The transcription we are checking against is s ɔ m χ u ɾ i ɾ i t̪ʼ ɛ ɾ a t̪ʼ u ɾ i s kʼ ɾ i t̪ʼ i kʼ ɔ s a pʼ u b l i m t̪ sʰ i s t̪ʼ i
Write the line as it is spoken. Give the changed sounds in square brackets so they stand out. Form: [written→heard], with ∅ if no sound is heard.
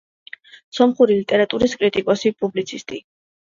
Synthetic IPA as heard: s ɔ m χ u ɾ i [ɾ→l] i t̪ʼ ɛ ɾ a t̪ʼ u ɾ i s kʼ ɾ i t̪ʼ i kʼ ɔ s [a→i] pʼ u b l i [m→∅] t̪ sʰ i s t̪ʼ i